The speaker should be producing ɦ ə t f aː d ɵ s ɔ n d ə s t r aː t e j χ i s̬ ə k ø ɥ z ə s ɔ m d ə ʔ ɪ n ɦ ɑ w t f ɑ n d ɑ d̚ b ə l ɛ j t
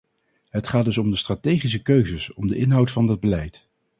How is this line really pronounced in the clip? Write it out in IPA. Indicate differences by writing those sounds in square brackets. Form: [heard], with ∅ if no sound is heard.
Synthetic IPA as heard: ɦ ə t [χ] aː d ɵ s ɔ [m] d ə s t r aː t e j χ i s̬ ə k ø ɥ z ə s ɔ m d ə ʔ ɪ n ɦ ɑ w t f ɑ n d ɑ d̚ b ə l ɛ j t

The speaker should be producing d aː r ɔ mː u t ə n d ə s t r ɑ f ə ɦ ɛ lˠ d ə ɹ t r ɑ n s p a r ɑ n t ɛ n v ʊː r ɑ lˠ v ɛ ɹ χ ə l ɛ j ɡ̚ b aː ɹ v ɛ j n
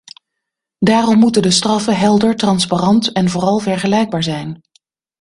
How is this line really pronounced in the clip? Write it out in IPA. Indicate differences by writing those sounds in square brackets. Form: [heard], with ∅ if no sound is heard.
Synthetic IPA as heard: d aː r ɔ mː u t ə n d ə s t r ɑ f ə ɦ ɛ lˠ d ə ɹ t r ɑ n s p a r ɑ n t ɛ n v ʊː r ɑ lˠ v ɛ ɹ χ ə l ɛ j ɡ̚ b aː ɹ [z] ɛ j n

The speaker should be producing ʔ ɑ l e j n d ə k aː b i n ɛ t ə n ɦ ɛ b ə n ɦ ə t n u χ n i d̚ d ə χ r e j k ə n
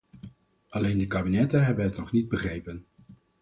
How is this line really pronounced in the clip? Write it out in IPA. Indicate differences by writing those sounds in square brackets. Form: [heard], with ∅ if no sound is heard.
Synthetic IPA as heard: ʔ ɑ l e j n d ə k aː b i n ɛ t ə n ɦ ɛ b ə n ɦ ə t n [ɔ] χ n i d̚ [b] ə χ r e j [p] ə n

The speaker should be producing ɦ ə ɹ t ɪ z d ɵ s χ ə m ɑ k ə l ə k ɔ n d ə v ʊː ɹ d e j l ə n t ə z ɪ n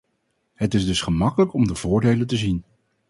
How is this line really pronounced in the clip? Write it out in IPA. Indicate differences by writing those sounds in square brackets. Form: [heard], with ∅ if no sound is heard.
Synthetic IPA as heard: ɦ ə [∅] t ɪ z d ɵ s χ ə m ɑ k ə l ə k ɔ [m] d ə v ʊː ɹ d e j l ə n t ə z [i] n

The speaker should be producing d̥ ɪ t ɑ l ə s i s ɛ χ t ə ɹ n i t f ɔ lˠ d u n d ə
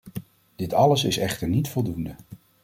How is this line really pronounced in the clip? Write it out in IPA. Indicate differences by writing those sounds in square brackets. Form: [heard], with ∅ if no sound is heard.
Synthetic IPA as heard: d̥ ɪ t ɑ l ə s [ɪ] s ɛ χ t ə ɹ n i t f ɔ lˠ d u n d ə

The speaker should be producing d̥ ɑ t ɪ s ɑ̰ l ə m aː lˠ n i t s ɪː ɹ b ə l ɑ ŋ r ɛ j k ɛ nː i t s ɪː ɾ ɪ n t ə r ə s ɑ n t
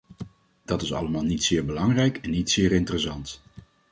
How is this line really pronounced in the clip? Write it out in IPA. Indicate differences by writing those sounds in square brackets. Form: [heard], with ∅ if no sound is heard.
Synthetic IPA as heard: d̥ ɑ t ɪ s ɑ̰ l ə m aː lˠ n i t s ɪː ɹ b ə l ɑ ŋ r ɛ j k ɛ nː i t s ɪː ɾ ɪ n t ə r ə s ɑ n t

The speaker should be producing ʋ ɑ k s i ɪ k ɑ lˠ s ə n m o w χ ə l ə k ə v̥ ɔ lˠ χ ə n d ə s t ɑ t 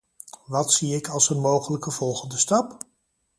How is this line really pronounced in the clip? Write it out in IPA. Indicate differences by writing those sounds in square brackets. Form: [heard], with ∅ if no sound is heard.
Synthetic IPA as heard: ʋ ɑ [t] s i ɪ k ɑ lˠ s ə n m o w χ ə l ə k ə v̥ ɔ lˠ χ ə n d ə s t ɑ [p]

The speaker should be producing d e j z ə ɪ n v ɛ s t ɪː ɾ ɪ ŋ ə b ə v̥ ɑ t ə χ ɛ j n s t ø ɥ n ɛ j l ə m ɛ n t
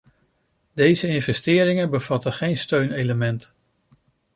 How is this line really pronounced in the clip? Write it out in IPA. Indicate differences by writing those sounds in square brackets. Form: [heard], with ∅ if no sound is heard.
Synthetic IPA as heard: d e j z ə ɪ n v ɛ s t ɪː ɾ ɪ ŋ ə b ə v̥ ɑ t ə χ [e] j n s t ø ɥ n [e] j l ə m ɛ n t

